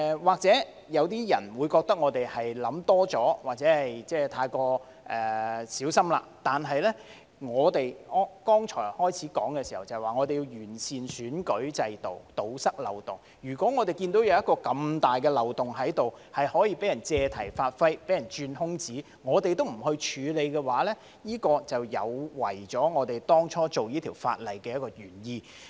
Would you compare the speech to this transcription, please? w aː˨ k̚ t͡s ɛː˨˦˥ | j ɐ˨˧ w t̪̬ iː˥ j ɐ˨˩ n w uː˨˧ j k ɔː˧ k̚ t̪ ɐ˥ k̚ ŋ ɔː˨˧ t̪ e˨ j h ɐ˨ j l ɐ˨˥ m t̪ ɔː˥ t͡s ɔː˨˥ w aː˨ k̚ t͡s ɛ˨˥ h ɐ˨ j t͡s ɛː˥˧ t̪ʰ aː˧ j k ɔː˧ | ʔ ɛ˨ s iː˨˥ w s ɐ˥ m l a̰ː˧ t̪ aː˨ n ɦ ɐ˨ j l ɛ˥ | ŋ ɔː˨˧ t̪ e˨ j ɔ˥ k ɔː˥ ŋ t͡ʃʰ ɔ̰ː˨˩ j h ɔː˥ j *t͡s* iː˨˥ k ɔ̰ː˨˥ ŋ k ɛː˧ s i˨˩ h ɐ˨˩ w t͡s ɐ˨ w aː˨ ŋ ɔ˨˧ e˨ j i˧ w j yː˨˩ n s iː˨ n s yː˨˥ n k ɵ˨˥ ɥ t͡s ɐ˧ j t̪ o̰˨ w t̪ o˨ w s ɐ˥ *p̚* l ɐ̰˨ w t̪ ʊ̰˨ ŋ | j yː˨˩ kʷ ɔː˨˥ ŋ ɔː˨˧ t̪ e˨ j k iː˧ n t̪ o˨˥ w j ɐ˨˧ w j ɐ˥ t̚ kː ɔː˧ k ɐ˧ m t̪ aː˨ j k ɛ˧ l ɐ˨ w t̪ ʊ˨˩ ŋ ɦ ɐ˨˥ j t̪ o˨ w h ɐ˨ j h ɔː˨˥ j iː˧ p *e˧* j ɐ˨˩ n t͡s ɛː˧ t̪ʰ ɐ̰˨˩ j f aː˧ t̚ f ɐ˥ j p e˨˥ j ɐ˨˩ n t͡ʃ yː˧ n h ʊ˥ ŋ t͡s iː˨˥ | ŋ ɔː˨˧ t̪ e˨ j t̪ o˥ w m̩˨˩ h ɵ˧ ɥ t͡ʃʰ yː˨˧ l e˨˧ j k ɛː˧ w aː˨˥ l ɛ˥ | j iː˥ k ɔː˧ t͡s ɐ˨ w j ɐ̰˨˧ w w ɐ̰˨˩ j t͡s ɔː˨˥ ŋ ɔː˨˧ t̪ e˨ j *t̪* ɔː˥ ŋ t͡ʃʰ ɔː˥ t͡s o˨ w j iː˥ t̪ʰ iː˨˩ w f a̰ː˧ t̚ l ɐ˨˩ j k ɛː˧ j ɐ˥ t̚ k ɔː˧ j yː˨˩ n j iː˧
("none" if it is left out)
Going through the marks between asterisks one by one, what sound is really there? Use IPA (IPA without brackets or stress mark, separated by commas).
t͡sʰ, k̚, e˨˥, t̪